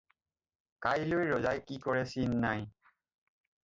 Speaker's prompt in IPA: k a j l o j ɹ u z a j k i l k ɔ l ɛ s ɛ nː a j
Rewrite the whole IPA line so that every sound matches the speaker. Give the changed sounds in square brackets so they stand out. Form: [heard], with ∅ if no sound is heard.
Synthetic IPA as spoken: k a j l o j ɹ [ɔ] z a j k i [∅] k ɔ [ɹ] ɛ s [i] nː a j